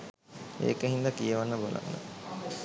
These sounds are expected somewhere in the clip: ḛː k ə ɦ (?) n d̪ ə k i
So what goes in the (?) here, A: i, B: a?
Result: A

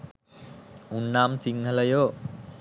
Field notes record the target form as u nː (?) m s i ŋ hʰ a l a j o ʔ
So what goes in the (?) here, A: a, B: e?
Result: A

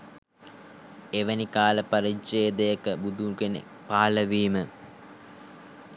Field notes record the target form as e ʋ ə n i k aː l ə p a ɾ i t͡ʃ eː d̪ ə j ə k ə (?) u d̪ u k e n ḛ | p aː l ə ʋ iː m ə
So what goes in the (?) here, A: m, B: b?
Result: B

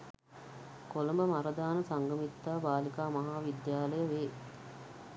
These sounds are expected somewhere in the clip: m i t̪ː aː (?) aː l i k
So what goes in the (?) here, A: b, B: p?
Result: A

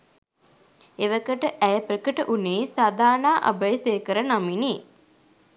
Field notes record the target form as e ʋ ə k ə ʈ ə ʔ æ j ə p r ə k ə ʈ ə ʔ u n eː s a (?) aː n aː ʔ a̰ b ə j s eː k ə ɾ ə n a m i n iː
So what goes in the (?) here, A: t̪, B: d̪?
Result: B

